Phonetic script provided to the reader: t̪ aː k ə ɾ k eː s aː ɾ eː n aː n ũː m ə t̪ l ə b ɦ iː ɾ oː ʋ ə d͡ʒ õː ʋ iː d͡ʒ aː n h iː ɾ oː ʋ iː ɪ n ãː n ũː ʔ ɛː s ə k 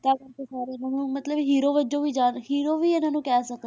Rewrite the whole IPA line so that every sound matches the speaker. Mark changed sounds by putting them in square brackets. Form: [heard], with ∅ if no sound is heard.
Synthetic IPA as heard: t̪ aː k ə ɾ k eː s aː ɾ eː n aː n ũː m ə t̪ l ə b ɦ iː ɾ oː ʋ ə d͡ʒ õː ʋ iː d͡ʒ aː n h iː ɾ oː ʋ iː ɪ n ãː n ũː [k] ɛː s ə k